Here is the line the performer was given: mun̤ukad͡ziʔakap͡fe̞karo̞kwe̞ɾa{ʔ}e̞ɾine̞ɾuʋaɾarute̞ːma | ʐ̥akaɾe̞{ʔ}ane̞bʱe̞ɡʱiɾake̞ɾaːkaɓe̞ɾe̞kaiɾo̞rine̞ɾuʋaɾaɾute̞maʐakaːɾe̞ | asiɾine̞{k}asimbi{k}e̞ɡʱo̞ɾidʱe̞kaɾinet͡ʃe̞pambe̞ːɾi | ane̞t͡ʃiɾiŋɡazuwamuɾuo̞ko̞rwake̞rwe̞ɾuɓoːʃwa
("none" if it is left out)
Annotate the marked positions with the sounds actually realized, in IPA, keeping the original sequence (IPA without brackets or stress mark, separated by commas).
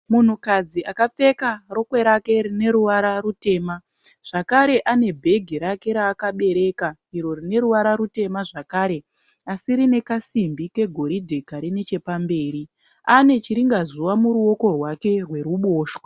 k, ʔ, k, k